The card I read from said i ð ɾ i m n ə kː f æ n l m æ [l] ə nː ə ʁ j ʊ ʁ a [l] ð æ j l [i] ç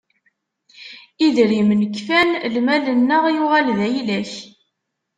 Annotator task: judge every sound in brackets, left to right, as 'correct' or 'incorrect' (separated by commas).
correct, correct, incorrect